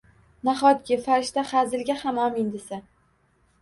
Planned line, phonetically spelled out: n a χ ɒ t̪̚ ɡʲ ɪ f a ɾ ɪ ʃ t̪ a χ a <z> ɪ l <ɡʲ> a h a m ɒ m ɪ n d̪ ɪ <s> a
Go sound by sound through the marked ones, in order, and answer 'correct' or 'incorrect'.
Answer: correct, correct, correct

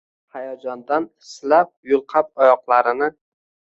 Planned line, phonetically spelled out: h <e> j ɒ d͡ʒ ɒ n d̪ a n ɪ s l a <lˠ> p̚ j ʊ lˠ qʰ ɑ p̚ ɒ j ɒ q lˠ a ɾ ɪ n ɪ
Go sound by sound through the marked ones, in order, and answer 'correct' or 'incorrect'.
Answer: incorrect, incorrect

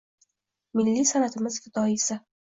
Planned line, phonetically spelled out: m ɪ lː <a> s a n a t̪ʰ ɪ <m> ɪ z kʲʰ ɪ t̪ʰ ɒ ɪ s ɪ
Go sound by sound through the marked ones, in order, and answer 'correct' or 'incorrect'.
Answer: incorrect, correct

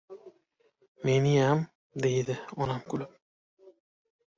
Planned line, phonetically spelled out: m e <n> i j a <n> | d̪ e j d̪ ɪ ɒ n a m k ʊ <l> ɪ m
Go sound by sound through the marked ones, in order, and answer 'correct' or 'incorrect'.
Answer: correct, incorrect, correct

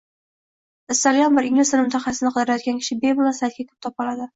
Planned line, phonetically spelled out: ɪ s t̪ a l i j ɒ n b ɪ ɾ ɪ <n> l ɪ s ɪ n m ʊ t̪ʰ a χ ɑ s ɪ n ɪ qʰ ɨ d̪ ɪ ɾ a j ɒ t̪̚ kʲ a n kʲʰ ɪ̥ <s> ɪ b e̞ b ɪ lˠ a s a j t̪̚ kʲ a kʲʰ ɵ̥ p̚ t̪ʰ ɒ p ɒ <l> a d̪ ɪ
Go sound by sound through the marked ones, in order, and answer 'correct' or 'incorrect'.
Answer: incorrect, incorrect, correct

